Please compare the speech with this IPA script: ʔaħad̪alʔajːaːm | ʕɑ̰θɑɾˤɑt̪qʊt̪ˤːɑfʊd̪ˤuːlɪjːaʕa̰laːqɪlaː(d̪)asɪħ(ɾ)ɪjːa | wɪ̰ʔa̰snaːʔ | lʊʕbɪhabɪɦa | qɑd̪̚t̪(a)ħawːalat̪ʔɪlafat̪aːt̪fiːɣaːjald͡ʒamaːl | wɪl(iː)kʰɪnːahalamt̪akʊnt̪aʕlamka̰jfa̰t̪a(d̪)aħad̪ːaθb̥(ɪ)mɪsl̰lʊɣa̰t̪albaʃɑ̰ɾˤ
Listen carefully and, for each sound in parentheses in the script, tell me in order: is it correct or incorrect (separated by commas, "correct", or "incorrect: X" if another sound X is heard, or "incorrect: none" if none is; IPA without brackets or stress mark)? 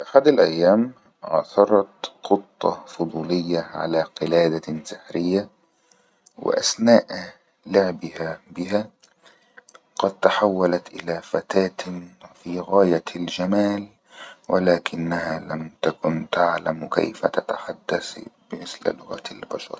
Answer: correct, correct, correct, incorrect: aː, incorrect: t̪, correct